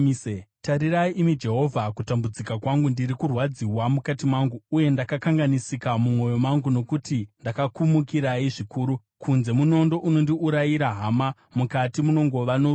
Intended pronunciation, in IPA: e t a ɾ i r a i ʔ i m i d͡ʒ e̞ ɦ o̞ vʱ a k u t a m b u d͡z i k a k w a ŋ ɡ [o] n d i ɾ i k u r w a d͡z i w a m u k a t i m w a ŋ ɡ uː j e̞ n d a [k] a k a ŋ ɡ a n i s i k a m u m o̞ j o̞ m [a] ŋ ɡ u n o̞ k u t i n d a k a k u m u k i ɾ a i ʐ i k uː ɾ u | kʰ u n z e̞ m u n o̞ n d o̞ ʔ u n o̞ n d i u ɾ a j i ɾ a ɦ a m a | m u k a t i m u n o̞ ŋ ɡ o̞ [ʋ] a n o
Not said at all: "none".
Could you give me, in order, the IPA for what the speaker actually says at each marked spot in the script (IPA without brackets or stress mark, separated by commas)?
u, k, a, ʋ